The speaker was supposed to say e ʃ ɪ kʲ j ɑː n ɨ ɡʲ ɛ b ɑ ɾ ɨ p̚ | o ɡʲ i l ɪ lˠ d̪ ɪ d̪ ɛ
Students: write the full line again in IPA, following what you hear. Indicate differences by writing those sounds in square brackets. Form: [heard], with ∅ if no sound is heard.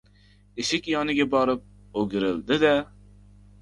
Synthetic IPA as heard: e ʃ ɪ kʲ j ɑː n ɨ ɡʲ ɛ b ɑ ɾ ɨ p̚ | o ɡʲ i [ɾ] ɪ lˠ d̪ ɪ d̪ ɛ